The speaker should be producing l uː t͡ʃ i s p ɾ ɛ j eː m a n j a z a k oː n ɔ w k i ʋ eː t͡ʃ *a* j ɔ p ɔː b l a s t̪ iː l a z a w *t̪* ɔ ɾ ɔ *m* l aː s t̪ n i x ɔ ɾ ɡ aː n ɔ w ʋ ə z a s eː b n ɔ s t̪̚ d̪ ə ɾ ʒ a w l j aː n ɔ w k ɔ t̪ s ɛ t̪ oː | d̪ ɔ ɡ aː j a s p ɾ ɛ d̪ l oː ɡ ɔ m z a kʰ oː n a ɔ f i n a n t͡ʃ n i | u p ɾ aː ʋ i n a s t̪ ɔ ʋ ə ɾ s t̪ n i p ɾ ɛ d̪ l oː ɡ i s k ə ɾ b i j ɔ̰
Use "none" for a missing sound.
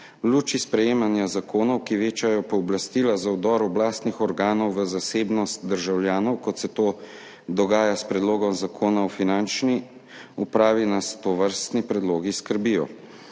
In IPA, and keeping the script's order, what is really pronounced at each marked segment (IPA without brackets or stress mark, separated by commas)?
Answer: a, d̪, b